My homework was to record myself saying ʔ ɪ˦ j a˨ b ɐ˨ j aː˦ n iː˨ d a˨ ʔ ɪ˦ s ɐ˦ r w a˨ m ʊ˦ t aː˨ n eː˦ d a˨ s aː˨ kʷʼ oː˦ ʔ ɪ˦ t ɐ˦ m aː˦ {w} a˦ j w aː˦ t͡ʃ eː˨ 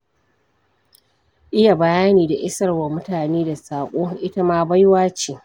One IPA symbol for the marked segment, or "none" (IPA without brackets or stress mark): b